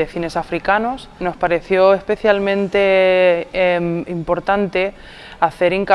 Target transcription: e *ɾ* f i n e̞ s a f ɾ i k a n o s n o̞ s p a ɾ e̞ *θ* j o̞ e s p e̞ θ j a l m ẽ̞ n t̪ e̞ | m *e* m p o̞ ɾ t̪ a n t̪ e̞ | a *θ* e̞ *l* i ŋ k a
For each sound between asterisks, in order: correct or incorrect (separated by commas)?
incorrect, correct, incorrect, correct, incorrect